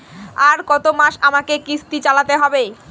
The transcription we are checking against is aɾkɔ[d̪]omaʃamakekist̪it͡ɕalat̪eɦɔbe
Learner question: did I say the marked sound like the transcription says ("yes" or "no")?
no